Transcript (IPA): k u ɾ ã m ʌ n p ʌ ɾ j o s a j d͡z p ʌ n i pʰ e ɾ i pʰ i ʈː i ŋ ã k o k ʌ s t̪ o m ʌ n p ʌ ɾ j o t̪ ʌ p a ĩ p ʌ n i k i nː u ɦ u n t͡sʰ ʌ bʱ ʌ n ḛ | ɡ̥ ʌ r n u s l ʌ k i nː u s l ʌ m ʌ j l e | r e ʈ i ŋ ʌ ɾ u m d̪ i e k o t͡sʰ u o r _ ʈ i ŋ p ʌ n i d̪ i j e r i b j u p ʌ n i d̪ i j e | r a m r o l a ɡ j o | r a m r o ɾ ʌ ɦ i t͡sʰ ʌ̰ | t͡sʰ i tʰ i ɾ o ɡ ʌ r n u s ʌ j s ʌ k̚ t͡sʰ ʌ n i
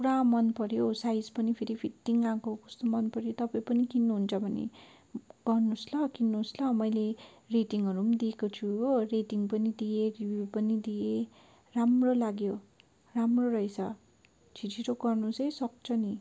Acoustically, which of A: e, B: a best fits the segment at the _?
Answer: A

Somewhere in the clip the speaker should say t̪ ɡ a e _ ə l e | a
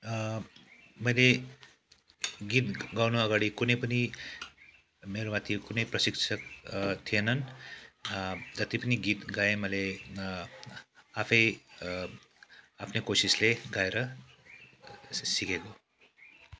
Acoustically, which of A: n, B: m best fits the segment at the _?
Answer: B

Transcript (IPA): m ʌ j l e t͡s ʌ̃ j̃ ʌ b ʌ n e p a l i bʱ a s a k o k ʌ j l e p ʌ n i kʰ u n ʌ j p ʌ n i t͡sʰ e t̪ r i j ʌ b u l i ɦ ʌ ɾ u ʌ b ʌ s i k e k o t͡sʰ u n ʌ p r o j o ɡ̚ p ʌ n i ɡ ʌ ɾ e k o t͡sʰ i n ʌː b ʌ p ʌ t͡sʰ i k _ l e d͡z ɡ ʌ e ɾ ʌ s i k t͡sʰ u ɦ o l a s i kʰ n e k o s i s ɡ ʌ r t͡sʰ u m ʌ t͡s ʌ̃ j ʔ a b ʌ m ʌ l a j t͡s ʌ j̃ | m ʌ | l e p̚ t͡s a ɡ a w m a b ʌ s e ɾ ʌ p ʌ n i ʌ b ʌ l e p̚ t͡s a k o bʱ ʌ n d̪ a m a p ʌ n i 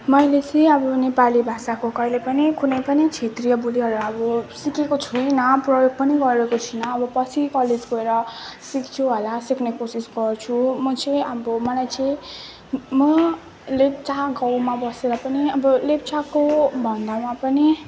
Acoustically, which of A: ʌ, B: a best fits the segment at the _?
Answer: A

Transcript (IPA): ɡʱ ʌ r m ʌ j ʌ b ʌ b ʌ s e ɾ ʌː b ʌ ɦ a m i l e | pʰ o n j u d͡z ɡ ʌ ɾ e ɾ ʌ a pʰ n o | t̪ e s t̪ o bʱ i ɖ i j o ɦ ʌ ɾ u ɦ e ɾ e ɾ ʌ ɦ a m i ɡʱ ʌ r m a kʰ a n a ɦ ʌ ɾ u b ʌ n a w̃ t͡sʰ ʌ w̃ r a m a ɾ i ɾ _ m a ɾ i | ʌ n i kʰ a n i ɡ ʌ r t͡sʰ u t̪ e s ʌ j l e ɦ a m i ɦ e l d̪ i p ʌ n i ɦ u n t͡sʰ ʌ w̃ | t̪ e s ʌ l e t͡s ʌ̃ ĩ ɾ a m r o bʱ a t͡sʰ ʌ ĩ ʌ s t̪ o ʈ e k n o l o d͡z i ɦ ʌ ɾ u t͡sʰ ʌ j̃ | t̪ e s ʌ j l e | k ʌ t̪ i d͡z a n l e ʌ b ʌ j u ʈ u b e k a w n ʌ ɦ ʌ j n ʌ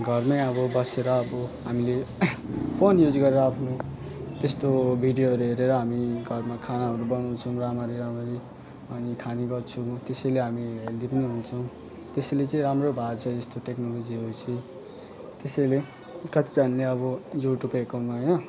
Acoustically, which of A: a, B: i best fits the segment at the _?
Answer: A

